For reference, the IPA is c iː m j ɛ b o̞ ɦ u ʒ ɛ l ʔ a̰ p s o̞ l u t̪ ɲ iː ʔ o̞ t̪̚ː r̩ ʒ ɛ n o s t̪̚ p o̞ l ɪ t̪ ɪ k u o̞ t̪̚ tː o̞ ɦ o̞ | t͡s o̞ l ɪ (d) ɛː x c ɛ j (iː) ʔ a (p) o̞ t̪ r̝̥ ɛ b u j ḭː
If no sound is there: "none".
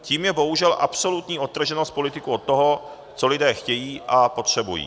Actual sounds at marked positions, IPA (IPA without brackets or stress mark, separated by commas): d, iː, p